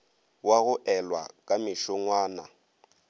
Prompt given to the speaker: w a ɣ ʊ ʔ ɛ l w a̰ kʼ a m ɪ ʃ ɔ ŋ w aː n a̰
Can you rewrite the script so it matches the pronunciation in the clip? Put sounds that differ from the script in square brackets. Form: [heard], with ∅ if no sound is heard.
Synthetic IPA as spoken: w a ɣ ʊ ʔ ɛ l w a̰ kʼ a m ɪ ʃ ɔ ŋ w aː n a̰